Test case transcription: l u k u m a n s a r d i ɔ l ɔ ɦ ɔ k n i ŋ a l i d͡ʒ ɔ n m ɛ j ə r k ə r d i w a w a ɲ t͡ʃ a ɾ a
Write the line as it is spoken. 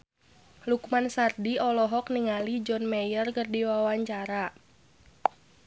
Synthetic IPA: l u k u m a n s a r d i ɔ l ɔ ɦ ɔ k n i ŋ a l i d͡ʒ ɔ n m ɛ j ə r k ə r d i w a w a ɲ t͡ʃ a ɾ a

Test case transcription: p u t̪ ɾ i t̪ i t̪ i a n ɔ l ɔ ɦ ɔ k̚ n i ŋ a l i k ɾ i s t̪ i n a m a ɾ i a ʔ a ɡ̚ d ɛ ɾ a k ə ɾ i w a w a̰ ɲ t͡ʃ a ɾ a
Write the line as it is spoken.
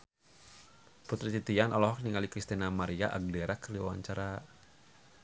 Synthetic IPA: p u t̪ ɾ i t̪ i t̪ i a n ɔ l ɔ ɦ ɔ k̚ n i ŋ a l i k ɾ i s t̪ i n a m a ɾ i a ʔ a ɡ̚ d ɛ ɾ a k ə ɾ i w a w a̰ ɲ t͡ʃ a ɾ a

